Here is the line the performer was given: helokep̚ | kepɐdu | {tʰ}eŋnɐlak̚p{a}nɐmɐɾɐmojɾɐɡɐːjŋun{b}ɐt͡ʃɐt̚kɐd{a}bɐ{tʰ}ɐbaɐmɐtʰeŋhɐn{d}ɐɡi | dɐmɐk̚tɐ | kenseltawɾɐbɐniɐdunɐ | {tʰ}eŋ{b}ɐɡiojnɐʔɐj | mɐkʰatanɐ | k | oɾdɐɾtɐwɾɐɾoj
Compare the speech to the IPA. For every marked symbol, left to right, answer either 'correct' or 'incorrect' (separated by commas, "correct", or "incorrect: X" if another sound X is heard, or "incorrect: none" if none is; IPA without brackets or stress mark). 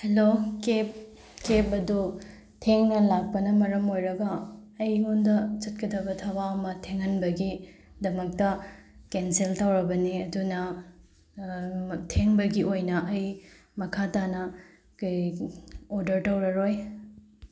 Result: correct, incorrect: ɐ, incorrect: d, incorrect: ɐ, correct, incorrect: b, correct, correct